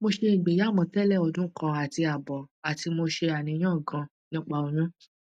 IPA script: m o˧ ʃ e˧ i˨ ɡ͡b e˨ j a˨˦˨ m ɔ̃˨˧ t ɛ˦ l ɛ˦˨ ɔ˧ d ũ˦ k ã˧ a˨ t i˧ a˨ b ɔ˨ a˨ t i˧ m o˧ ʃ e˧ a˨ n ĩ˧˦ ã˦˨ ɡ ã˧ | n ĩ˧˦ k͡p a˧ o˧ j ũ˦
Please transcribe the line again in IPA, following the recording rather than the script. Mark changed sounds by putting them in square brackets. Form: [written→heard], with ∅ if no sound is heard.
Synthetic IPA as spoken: m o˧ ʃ e˧ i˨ ɡ͡b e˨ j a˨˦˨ m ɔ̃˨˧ t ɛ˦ l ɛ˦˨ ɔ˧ d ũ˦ k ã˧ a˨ t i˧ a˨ b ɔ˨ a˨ t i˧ m o˧ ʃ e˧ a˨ n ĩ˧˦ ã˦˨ ɡ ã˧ | n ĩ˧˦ k͡p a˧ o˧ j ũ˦